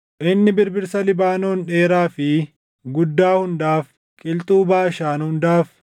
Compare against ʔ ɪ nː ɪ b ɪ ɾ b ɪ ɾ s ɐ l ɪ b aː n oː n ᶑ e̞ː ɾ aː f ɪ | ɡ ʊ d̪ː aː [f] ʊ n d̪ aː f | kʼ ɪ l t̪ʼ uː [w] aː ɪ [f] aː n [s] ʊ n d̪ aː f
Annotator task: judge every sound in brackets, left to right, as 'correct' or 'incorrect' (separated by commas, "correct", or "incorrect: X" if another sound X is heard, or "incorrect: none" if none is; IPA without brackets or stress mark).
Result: incorrect: h, incorrect: b, incorrect: ʃ, incorrect: h